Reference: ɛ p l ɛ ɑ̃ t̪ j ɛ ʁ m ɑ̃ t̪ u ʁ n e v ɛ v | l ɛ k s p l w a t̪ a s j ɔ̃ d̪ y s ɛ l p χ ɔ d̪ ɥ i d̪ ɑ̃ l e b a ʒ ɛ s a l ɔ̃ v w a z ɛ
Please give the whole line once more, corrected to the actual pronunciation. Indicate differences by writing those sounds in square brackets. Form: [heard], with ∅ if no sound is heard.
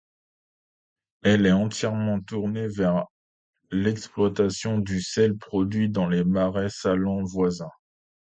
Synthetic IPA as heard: ɛ [∅] l ɛ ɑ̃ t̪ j ɛ ʁ m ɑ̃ t̪ u ʁ n e v ɛ [ʁ] | l ɛ k s p l w a t̪ a s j ɔ̃ d̪ y s ɛ l p χ ɔ d̪ ɥ i d̪ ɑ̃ l e [m] a [ʁ] ɛ s a l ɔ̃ v w a z [ɛ̃]